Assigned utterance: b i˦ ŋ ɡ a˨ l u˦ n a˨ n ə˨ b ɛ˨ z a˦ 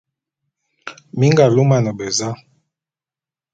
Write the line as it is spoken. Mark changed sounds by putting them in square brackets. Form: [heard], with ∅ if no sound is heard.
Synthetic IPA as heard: [m] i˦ ŋ ɡ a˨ l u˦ [m] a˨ n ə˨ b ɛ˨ z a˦